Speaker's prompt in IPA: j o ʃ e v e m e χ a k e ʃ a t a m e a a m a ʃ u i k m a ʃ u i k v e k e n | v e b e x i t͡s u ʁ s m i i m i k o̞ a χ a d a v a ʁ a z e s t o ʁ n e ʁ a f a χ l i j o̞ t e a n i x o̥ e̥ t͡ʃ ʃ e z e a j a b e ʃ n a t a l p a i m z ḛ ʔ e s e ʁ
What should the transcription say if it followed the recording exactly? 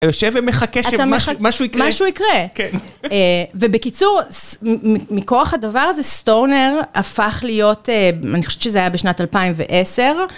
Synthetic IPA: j o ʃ e v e m e χ a k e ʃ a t a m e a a m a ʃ u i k m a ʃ u i k ʁ e k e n | v e b e k i t͡s u ʁ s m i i m i k o̞ a χ a d a v a ʁ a z e s t o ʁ n e ʁ a f a χ l i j o̞ t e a n i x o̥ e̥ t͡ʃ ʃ e z e a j a b e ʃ n a t a l p a i m v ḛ ʔ e s e ʁ